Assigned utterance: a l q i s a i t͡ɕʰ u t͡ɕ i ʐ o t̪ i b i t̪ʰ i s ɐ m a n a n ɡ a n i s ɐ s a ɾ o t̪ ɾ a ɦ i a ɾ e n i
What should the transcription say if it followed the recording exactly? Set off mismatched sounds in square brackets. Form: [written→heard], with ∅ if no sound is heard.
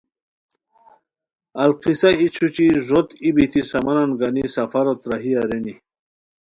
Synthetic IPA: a l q i s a i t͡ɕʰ u t͡ɕ i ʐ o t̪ i b i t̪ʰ i s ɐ m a n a n ɡ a n i s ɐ [s→f] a ɾ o t̪ ɾ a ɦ i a ɾ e n i